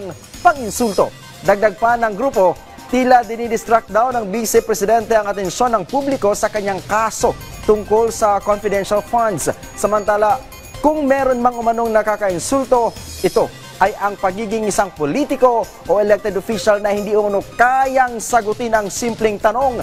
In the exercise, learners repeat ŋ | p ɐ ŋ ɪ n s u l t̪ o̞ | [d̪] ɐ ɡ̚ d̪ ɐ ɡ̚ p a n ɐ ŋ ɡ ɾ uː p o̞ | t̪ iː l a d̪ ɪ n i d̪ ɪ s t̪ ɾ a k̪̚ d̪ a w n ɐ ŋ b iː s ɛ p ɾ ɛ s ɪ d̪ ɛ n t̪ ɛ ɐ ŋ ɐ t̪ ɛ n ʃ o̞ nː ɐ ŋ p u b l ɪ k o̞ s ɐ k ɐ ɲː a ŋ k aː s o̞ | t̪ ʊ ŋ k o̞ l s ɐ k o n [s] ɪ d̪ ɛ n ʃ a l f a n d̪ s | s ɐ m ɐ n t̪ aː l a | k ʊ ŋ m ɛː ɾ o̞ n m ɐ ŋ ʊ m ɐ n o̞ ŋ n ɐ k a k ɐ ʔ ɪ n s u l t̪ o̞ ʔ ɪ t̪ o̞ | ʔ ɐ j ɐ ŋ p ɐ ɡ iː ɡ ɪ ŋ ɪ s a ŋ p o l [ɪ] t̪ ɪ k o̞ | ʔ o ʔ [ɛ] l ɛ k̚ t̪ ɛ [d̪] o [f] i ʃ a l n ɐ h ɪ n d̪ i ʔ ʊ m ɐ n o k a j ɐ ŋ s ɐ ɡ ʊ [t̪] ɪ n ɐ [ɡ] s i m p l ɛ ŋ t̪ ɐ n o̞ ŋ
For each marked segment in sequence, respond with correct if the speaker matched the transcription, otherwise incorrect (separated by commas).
correct, incorrect, incorrect, correct, correct, correct, correct, incorrect